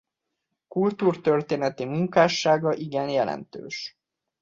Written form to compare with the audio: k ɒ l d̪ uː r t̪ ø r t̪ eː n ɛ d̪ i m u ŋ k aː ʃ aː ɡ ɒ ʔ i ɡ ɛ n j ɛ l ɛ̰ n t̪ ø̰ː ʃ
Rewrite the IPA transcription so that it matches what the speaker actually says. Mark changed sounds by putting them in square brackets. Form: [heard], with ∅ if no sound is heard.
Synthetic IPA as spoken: k [u] l [t̪] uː r t̪ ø r t̪ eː n ɛ [t̪] i m u ŋ k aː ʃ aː ɡ ɒ ʔ i ɡ ɛ n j ɛ l ɛ̰ n t̪ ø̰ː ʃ